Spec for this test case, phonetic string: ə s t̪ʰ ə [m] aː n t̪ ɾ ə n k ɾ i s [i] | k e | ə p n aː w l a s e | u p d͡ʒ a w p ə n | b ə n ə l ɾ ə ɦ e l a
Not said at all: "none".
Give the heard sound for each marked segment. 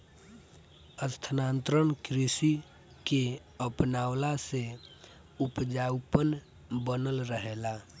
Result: n, i

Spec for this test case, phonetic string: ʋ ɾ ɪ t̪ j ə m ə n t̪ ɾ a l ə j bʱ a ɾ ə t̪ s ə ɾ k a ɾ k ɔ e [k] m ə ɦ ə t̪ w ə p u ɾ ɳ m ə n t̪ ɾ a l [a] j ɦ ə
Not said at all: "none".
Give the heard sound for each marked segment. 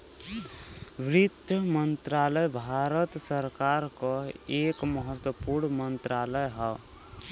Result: k, ə

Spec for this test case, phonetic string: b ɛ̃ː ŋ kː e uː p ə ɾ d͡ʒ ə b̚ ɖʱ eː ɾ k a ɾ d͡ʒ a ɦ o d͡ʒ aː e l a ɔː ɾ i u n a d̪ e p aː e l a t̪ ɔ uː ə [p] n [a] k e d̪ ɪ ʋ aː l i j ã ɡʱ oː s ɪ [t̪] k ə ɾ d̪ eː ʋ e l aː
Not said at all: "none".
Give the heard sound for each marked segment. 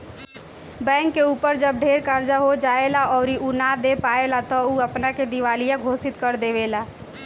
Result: p, a, t̪

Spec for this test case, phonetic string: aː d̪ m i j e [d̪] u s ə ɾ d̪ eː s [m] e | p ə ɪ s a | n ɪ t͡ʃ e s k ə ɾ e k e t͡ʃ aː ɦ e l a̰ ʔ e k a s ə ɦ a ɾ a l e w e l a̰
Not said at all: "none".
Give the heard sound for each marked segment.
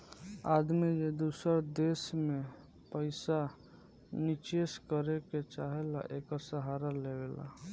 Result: d̪, m

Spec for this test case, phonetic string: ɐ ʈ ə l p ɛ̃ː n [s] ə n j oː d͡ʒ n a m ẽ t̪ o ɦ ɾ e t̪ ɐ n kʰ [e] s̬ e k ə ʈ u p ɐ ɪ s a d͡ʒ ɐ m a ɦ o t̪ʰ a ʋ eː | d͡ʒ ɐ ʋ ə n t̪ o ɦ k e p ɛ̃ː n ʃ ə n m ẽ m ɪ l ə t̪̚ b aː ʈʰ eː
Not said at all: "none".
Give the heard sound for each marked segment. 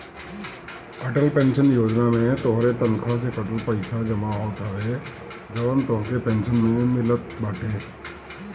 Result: ʃ, a

